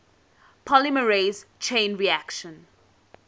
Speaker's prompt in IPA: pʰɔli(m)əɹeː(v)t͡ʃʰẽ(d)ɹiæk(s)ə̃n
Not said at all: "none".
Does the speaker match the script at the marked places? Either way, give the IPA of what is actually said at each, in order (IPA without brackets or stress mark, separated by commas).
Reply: m, z, n, ʃ